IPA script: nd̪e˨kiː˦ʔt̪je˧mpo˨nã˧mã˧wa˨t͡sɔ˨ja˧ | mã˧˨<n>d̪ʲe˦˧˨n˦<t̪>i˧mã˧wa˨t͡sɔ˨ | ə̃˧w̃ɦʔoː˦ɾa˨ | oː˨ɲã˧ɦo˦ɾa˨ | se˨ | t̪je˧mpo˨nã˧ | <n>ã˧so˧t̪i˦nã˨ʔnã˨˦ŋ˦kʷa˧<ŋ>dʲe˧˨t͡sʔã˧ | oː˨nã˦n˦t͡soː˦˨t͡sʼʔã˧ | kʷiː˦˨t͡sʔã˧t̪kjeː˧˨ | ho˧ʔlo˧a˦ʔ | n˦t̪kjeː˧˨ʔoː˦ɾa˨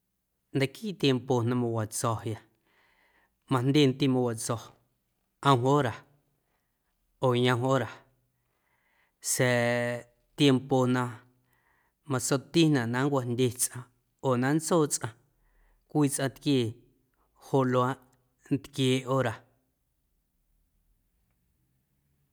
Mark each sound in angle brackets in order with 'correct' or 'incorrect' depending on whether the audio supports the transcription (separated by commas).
correct, correct, incorrect, incorrect